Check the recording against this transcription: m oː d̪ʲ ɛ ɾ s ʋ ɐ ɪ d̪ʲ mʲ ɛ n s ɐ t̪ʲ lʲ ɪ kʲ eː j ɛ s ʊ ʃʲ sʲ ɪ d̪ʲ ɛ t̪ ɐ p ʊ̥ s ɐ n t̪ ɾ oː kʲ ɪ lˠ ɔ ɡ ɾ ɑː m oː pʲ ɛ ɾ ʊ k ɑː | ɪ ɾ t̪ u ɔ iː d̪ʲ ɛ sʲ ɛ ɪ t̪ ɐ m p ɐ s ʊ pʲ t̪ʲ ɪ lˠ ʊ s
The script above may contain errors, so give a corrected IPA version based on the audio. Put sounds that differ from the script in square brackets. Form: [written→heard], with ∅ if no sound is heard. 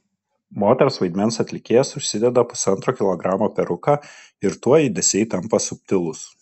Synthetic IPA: m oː [d̪ʲ→t̪ʲ] ɛ ɾ s ʋ ɐ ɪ d̪ʲ mʲ ɛ n s ɐ t̪ʲ lʲ ɪ kʲ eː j ɛ s ʊ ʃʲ sʲ ɪ d̪ʲ ɛ [t̪→d̪] ɐ p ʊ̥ s ɐ n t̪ ɾ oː kʲ ɪ lˠ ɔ ɡ ɾ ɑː m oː pʲ ɛ ɾ ʊ k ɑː | ɪ ɾ t̪ u ɔ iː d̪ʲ ɛ sʲ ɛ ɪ t̪ ɐ m p ɐ s ʊ pʲ t̪ʲ ɪ lˠ ʊ s